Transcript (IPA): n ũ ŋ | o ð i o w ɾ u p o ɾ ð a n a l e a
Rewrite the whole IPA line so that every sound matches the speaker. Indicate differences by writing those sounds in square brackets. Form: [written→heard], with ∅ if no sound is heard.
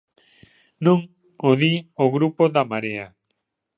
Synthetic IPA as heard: n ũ ŋ | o ð i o [w→ɣ] ɾ u p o [ɾ→∅] ð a [n→m] a [l→ɾ] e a